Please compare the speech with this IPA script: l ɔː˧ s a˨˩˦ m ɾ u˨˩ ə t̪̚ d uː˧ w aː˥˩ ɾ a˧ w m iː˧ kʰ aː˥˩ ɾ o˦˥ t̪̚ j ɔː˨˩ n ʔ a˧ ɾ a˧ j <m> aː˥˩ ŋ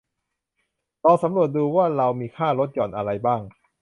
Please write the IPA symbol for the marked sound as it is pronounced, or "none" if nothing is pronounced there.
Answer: b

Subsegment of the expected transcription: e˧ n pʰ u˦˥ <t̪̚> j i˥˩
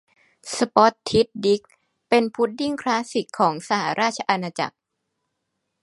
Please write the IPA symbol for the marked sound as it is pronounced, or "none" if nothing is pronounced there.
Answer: t̪̚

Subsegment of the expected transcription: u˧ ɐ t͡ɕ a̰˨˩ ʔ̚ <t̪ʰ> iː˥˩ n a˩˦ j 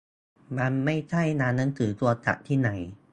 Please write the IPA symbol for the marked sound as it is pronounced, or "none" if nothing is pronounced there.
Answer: t̪ʰ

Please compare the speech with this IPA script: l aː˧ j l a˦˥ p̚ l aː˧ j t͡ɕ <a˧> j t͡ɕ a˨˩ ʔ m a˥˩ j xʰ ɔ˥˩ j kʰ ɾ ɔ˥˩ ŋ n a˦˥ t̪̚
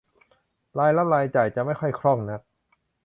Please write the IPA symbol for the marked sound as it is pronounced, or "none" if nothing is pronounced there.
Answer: a˨˩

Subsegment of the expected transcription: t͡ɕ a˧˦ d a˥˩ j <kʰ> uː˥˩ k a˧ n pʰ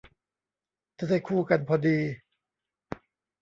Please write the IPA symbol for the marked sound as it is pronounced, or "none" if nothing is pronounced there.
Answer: kʰ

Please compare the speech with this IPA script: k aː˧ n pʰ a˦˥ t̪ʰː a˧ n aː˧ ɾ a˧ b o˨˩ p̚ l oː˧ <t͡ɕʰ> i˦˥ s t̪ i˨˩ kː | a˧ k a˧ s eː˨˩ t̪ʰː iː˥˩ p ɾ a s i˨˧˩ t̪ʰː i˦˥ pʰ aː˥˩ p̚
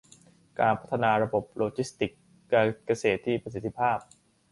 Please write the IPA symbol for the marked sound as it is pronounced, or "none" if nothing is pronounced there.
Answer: t͡ɕ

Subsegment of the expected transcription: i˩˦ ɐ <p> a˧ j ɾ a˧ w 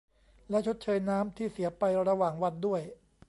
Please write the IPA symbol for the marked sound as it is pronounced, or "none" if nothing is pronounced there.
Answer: p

